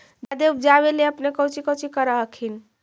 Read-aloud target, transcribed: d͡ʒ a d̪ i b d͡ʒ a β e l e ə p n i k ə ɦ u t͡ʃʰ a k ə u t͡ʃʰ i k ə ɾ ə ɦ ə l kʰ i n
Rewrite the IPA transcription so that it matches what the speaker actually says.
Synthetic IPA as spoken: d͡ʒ a d̪ e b d͡ʒ a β e l e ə p n e k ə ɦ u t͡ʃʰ i k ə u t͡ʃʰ i k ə ɾ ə ɦ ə kʰ i n